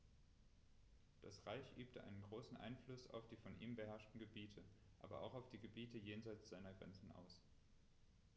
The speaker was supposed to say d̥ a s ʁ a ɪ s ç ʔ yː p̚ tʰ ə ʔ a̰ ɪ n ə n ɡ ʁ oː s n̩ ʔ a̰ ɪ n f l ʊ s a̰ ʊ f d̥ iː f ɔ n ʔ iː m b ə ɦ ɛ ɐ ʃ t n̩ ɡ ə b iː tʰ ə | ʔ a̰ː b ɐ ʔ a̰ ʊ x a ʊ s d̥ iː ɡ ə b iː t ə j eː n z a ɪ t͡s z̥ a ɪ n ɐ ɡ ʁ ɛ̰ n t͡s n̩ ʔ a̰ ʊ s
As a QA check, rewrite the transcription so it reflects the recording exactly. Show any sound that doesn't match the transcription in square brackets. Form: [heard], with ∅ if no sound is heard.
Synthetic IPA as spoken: d̥ a s ʁ a ɪ [∅] ç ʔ yː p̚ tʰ ə ʔ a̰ ɪ n ə n ɡ ʁ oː s n̩ ʔ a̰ ɪ n f l ʊ s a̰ ʊ f d̥ iː f ɔ n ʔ iː m b ə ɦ ɛ ɐ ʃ t n̩ ɡ ə b iː tʰ ə | ʔ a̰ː b ɐ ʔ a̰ ʊ x a ʊ [f] d̥ iː ɡ ə b iː t ə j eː n z a ɪ t͡s z̥ a ɪ n ɐ ɡ ʁ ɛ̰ n t͡s n̩ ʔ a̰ ʊ s